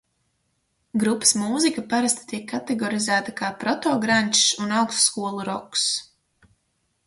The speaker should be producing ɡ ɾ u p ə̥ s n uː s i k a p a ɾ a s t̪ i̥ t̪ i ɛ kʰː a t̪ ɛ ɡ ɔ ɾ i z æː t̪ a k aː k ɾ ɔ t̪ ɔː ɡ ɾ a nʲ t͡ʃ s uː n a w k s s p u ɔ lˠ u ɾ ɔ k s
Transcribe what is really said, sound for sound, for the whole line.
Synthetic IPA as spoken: ɡ ɾ u p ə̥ s m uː z i k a p a ɾ a s t̪ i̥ t̪ i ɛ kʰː a t̪ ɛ ɡ ɔ ɾ i z æː t̪ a k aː p ɾ ɔ t̪ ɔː ɡ ɾ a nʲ t͡ʃ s u n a w k s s k u ɔ lˠ u ɾ ɔ k s